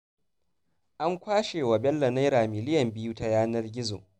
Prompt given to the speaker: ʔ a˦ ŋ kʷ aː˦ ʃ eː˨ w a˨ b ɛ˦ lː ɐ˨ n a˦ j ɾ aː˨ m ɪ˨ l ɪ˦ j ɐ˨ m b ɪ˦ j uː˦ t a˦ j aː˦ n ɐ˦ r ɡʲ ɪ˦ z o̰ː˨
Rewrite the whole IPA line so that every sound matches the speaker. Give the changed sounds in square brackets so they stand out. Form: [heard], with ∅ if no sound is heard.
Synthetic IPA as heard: ʔ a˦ ŋ kʷ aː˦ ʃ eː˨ w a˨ b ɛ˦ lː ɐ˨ n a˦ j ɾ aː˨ m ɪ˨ l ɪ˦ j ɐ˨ m b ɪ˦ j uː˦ t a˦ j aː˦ n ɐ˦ r ɡʲ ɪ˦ z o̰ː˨